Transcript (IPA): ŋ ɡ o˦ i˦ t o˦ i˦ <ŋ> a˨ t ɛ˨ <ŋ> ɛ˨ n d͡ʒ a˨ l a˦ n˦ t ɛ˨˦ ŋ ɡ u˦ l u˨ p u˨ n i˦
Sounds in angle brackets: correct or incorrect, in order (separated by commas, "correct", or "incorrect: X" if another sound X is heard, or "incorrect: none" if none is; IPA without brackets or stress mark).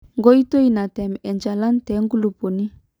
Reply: incorrect: n, incorrect: m